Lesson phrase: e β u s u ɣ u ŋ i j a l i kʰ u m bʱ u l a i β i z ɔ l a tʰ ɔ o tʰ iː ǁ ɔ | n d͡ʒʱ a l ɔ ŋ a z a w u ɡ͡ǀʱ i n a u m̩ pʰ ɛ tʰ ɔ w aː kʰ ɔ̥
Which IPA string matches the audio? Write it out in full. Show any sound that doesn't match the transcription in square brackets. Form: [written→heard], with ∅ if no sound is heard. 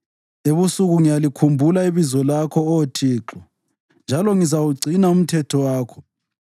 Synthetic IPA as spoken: e β u s u ɣ u ŋ i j a l i kʰ u m bʱ u l a i β i z ɔ l a [tʰ→kʰ] ɔ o tʰ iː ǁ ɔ | n d͡ʒʱ a l ɔ ŋ [a→i] z a w u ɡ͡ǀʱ i n a u m̩ [pʰ→tʰ] ɛ tʰ ɔ w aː kʰ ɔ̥